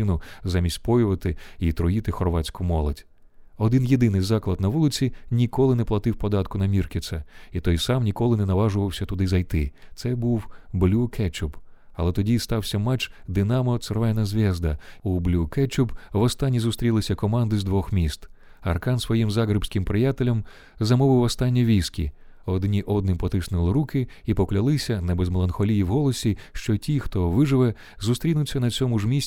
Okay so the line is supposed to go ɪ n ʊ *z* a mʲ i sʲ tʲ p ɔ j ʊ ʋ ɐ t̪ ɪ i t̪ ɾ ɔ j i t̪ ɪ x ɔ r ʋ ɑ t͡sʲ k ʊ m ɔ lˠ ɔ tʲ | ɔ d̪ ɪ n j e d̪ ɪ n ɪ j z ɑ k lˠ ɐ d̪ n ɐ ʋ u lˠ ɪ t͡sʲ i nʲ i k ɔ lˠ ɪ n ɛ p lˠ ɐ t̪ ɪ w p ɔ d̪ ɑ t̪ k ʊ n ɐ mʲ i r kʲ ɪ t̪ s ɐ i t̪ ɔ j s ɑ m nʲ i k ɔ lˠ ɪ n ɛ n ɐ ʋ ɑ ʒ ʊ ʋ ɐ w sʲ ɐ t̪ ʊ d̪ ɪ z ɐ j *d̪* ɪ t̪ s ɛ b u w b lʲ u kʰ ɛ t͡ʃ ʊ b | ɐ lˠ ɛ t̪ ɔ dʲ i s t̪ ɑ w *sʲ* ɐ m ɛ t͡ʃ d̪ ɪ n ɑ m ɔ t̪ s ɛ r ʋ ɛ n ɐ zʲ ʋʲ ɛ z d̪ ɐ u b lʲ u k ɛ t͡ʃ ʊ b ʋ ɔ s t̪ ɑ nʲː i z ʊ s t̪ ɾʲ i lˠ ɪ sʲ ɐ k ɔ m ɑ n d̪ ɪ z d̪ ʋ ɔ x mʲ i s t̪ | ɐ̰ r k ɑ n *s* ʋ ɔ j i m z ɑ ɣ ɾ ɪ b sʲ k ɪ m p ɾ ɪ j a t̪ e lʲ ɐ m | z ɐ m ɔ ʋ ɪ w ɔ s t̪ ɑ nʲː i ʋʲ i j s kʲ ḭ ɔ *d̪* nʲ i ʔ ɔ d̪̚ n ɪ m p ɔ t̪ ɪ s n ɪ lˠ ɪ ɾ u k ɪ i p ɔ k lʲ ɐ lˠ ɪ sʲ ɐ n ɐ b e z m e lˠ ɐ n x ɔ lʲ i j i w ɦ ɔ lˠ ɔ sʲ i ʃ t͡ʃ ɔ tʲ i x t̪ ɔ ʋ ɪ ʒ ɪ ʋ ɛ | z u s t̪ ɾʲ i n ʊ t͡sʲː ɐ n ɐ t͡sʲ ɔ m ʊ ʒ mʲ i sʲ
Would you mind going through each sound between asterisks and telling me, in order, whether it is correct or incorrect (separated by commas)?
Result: correct, incorrect, correct, correct, correct